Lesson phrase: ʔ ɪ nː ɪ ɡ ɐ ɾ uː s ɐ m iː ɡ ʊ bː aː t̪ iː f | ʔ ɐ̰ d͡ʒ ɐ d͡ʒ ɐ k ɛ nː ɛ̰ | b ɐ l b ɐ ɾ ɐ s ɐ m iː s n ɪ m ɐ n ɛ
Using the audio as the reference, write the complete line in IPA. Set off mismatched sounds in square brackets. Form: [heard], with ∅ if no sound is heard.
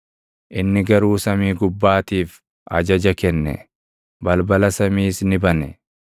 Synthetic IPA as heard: ʔ ɪ nː ɪ ɡ ɐ ɾ uː s ɐ m iː ɡ ʊ bː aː t̪ iː f | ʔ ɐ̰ d͡ʒ ɐ d͡ʒ ɐ k ɛ nː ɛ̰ | b ɐ l b ɐ [l] ɐ s ɐ m iː s n ɪ [b] ɐ n ɛ